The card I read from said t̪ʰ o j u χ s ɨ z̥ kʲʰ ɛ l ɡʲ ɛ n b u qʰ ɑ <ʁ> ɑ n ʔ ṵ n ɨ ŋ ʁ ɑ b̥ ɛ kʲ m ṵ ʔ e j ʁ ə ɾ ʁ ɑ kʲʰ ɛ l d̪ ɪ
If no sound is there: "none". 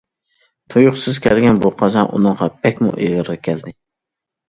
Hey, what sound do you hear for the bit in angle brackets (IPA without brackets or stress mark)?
z